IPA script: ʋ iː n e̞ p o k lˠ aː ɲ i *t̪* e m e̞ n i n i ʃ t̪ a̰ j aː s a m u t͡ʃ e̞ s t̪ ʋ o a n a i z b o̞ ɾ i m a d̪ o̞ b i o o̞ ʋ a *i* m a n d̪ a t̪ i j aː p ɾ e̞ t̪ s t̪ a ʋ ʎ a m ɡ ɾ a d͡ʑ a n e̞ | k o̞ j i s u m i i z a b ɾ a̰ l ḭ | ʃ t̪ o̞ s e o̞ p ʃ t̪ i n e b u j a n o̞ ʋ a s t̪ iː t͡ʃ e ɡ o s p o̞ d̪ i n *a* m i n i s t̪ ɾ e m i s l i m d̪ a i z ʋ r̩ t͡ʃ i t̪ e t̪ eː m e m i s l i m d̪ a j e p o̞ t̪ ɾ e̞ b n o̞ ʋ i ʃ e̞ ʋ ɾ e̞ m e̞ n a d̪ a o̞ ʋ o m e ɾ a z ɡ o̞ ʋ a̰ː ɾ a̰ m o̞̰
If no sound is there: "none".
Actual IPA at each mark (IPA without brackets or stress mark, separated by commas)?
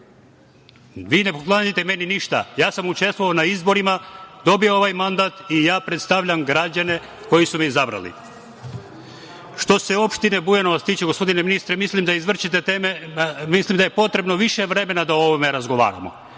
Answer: t̪, j, e